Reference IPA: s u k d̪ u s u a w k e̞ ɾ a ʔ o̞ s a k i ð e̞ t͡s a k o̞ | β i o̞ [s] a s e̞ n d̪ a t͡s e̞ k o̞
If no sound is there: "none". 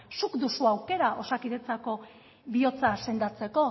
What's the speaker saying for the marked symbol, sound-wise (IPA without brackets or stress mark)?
t͡s